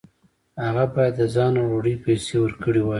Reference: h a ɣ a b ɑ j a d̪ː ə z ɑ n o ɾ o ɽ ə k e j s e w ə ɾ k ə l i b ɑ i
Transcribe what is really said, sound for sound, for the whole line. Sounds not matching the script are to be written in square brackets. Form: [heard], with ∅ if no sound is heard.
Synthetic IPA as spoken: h a ɣ a b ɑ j a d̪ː ə z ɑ n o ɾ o ɽ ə [p] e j s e w ə ɾ k ə [ɽ] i [w] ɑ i